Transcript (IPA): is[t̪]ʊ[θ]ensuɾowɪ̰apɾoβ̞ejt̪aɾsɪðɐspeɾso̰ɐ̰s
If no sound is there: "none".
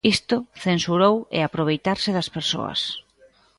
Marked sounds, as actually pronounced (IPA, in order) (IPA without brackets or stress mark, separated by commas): t̪, θ